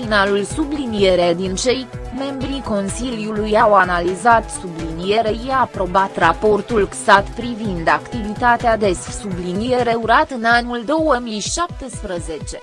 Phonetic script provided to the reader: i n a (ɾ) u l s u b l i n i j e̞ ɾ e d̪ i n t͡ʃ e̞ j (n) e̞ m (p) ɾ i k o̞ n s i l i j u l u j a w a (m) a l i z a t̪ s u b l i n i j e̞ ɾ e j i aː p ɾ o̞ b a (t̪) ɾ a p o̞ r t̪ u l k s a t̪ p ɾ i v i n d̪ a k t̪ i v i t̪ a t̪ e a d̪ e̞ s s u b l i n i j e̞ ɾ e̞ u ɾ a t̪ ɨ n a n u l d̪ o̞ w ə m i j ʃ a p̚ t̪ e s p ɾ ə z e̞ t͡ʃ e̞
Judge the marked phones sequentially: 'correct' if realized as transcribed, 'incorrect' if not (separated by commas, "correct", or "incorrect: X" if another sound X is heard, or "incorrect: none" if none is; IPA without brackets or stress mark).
incorrect: l, incorrect: m, incorrect: b, incorrect: n, correct